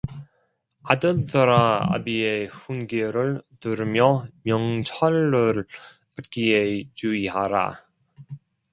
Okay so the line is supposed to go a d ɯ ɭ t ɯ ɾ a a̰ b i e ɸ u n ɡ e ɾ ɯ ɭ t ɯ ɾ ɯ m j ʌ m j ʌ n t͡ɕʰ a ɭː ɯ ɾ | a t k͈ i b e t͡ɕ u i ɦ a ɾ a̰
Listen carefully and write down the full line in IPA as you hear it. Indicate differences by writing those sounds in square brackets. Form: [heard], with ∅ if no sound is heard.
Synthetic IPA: a d ɯ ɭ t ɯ ɾ a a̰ b i e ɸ u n ɡ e ɾ ɯ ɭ t ɯ ɾ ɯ m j ʌ m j ʌ [ŋ] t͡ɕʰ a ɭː ɯ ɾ | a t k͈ i [∅] e t͡ɕ u i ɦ a ɾ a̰